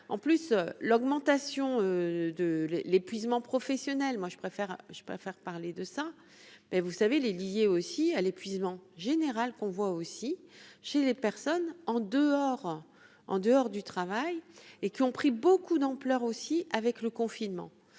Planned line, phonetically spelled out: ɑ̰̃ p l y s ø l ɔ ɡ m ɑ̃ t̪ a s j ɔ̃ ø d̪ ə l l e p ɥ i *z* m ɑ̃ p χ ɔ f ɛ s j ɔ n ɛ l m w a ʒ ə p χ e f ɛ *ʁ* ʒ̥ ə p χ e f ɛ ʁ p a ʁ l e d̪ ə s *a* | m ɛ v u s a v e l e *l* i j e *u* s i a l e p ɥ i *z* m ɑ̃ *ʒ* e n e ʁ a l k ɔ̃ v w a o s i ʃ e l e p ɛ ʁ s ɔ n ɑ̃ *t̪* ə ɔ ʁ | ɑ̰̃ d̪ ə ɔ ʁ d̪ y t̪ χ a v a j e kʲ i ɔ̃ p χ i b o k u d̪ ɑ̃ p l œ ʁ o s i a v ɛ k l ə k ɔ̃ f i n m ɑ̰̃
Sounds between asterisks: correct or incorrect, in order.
correct, correct, correct, correct, incorrect: o, correct, correct, incorrect: d̪

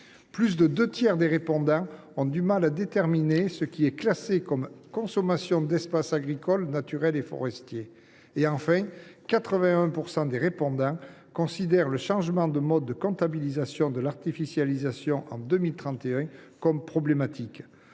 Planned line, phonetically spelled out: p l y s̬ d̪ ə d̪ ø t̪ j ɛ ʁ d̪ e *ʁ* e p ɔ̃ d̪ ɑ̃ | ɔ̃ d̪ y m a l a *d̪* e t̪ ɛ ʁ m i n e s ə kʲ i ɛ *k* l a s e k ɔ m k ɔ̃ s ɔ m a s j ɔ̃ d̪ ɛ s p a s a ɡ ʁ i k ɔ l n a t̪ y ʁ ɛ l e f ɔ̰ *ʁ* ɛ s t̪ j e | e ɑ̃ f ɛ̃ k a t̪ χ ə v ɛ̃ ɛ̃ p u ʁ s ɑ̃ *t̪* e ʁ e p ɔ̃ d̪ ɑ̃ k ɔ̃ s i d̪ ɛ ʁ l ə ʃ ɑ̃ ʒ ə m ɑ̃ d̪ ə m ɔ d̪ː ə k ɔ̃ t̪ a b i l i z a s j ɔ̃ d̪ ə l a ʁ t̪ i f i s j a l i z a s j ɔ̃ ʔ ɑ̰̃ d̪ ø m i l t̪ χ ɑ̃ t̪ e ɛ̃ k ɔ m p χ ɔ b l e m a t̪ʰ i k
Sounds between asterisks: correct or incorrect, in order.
correct, correct, correct, correct, incorrect: d̪

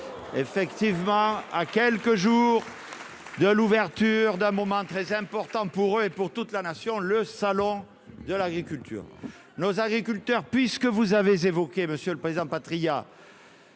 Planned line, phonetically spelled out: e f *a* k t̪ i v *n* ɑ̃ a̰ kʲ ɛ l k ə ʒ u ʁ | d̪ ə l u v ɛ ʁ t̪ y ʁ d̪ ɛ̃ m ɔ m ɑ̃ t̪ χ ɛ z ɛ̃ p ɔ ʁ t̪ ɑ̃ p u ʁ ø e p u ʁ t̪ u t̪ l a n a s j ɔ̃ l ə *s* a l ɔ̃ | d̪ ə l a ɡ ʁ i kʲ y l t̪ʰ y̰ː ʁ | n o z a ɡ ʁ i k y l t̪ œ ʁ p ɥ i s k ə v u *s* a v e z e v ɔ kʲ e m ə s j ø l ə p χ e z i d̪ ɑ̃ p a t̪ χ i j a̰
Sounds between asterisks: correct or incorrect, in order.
incorrect: ɛ, incorrect: m, correct, incorrect: z

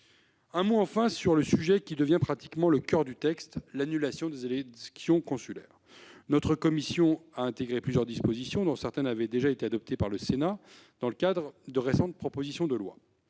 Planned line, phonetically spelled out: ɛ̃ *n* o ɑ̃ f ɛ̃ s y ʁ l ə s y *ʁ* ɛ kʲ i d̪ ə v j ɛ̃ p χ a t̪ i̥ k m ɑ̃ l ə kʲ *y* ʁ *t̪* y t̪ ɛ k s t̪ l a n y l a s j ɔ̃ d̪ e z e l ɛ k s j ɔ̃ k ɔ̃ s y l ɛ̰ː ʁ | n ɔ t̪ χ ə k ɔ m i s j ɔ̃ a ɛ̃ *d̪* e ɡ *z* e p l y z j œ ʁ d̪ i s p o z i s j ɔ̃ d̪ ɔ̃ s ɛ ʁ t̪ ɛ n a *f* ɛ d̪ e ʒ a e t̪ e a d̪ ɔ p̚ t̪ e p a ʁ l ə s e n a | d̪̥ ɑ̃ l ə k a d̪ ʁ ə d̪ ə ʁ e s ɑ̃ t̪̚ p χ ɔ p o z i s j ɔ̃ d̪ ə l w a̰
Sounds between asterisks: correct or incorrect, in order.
incorrect: m, incorrect: ʒ, incorrect: œ, incorrect: d̪, incorrect: t̪, incorrect: ʁ, incorrect: v

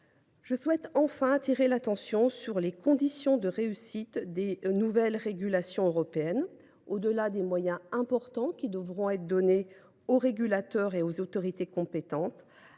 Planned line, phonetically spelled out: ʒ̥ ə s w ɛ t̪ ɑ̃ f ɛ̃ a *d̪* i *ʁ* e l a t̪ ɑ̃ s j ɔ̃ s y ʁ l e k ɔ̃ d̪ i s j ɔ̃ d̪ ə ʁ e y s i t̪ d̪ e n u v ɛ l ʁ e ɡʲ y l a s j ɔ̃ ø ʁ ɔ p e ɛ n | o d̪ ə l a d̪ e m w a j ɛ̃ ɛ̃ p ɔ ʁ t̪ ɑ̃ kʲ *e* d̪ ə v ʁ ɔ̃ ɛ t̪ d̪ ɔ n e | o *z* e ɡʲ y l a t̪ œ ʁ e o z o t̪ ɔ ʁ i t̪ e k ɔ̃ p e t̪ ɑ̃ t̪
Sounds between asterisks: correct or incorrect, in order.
incorrect: t̪, correct, incorrect: i, incorrect: ʁ

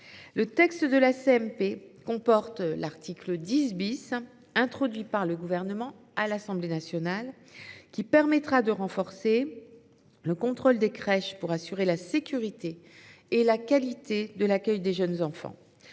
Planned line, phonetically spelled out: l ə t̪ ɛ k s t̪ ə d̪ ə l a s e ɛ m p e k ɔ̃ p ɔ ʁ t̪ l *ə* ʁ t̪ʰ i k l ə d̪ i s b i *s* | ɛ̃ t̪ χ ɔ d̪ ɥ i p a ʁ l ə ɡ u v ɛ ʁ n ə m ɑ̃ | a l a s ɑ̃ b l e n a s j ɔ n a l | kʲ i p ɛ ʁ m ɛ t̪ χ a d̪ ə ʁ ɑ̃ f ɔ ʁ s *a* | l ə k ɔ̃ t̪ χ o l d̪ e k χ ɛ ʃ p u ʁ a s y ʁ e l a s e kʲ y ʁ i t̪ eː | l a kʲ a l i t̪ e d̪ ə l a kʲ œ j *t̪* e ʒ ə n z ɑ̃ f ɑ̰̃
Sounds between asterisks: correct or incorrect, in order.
incorrect: a, correct, incorrect: e, incorrect: d̪

